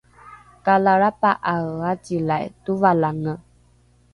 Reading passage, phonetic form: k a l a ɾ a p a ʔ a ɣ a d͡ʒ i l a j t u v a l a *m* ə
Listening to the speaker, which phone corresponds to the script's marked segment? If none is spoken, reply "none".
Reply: ŋ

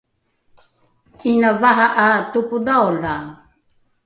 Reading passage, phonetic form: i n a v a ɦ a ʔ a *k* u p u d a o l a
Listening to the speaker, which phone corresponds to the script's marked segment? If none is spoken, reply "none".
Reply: t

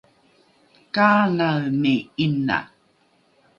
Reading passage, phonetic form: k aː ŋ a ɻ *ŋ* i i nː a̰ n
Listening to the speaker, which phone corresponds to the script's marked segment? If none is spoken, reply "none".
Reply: m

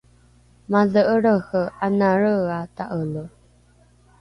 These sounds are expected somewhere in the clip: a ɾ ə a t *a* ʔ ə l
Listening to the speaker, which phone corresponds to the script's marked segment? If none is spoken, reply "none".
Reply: a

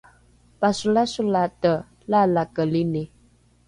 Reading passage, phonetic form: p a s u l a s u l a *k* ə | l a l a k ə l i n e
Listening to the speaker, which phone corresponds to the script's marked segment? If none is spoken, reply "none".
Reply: t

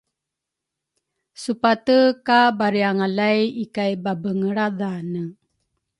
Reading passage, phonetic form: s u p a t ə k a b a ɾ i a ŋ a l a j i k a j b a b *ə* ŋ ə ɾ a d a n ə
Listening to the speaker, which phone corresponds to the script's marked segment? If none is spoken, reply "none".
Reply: ə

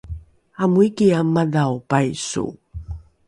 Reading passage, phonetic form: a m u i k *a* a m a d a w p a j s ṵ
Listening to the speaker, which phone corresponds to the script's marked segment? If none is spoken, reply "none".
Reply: i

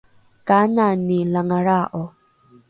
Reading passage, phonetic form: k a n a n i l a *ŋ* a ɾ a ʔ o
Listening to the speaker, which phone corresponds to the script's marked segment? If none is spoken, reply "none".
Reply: ŋ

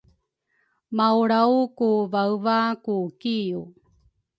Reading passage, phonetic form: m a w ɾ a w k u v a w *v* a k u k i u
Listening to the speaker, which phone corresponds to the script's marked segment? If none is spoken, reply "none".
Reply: v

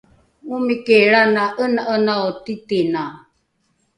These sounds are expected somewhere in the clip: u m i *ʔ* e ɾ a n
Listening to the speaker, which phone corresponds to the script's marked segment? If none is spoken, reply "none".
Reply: k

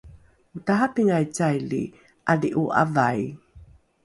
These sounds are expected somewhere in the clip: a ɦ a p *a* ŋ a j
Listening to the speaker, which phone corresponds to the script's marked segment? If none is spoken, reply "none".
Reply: i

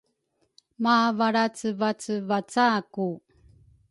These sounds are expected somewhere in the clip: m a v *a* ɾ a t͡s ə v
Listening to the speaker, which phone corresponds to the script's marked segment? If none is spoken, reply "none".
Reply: a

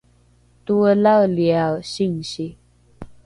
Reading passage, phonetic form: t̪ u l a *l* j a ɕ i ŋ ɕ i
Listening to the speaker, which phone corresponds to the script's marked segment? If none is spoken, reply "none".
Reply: l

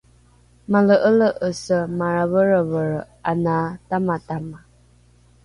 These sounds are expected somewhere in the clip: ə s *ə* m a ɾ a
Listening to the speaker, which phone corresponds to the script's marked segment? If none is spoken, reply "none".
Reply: ə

